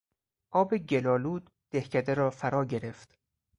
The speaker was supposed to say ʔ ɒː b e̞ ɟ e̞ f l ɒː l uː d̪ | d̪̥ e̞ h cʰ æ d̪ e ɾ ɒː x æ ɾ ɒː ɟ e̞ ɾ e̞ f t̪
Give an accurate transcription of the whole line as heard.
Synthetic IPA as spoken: ʔ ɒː b e̞ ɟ e̞ l ɒː l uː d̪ | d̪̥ e̞ h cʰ æ d̪ e ɾ ɒː f æ ɾ ɒː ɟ e̞ ɾ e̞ f t̪

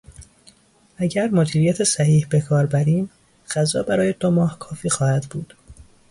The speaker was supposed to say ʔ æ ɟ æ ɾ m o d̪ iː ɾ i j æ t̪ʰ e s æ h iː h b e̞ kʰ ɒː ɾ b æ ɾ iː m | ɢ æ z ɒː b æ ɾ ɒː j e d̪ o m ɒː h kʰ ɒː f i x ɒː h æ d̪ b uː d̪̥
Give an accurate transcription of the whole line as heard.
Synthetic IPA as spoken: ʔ æ ɟ æ ɾ m o d̪ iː ɾ i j æ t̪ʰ e s æ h iː h b e̞ kʰ ɒː ɾ b æ ɾ iː m | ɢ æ z ɒː b æ ɾ ɒː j e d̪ o m ɒː h kʰ ɒː f iː x ɒː h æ d̪ b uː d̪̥

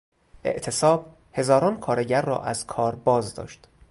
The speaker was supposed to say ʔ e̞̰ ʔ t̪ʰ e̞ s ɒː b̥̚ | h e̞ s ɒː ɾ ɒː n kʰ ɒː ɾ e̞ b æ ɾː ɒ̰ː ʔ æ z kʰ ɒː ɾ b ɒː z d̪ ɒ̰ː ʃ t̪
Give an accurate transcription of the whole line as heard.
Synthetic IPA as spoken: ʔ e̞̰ ʔ t̪ʰ e̞ s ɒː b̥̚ | h e̞ z ɒː ɾ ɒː n kʰ ɒː ɾ e̞ ɟ æ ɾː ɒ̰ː ʔ æ z kʰ ɒː ɾ b ɒː z d̪ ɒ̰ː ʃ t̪

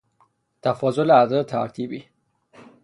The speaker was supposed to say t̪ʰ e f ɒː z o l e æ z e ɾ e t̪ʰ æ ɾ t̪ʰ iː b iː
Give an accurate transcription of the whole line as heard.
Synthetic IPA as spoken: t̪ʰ æ f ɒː z o l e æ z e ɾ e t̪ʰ æ ɾ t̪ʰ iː b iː

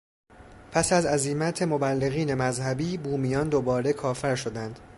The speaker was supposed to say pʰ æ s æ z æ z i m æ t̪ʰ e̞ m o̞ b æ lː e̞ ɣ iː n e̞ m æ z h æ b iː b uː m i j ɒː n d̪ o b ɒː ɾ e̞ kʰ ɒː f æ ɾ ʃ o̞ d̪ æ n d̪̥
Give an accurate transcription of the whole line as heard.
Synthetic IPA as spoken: pʰ æ s æ z æ z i m æ t̪ʰ e̞ m o̞ b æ lː e̞ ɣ iː n e̞ m æ z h æ b iː b uː m i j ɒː n d̪ o b ɒː ɾ e̞ kʰ ɒː f æ ɾ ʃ o̞ d̪ æ n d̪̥

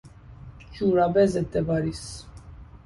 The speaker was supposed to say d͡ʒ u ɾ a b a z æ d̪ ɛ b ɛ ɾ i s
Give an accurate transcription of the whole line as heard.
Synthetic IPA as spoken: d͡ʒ u ɾ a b ɛ z ɛ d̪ ɛ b a ɾ i s

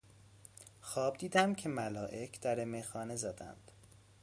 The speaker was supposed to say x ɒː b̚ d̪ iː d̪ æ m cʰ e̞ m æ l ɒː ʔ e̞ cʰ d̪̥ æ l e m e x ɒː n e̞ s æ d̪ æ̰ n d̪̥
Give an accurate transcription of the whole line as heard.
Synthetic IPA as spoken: x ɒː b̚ d̪ iː d̪ æ m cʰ e̞ m æ l ɒː ʔ e̞ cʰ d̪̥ æ ɾ e m e x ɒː n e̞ z æ d̪ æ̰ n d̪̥

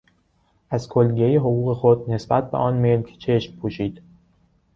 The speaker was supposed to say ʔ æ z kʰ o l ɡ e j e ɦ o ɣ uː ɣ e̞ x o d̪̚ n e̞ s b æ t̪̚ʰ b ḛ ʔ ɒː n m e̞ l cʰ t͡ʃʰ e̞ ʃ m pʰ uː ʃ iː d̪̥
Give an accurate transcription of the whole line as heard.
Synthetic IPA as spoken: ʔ æ z kʰ o l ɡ e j e ɦ o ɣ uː ɣ e̞ x o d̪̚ n e̞ s b æ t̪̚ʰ b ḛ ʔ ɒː n m e̞ l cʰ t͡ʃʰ e̞ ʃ m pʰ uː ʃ iː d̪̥

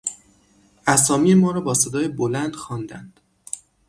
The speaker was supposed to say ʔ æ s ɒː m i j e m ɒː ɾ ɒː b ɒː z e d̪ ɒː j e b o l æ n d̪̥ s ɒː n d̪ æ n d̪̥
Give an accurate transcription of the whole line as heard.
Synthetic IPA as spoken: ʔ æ s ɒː m i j e m ɒː ɾ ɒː b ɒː s e d̪ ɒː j e b o l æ n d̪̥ x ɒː n d̪ æ n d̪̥

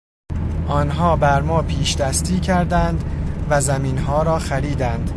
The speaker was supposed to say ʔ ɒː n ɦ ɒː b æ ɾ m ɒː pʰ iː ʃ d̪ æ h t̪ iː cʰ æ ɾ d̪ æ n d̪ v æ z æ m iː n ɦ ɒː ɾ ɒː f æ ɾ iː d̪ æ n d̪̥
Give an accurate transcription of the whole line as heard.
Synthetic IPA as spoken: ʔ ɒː n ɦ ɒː b æ ɾ m ɒː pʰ iː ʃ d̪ æ s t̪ iː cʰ æ ɾ d̪ æ n d̪ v æ z æ m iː n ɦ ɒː ɾ ɒː x æ ɾ iː d̪ æ n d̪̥

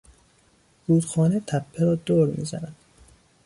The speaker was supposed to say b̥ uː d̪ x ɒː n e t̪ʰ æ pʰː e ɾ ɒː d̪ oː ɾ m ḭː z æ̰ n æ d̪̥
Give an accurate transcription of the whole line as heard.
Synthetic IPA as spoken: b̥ uː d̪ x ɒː n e t̪ʰ æ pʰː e ɾ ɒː d̪ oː ɾ m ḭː z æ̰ n æ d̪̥

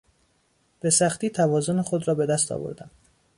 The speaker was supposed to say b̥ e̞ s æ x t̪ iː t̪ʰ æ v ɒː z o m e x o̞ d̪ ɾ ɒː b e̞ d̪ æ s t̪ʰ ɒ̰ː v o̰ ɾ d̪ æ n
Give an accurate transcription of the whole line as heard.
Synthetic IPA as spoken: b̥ e̞ s æ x t̪ iː t̪ʰ æ v ɒː z o n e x o̞ d̪ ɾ ɒː b e̞ d̪ æ s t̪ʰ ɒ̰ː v o̰ ɾ d̪ æ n

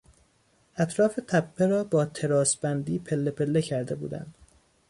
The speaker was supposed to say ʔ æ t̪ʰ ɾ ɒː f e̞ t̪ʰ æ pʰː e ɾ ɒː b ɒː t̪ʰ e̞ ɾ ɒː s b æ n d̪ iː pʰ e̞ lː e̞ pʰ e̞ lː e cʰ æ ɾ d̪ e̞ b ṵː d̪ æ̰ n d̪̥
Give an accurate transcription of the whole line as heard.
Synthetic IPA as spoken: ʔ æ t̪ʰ ɾ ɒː f e̞ t̪ʰ æ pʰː e ɾ ɒː b ɒː t̪ʰ e̞ ɾ ɒː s b æ n d̪ iː pʰ e̞ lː e̞ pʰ e̞ lː e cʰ æ ɾ d̪ e̞ b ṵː d̪ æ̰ n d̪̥

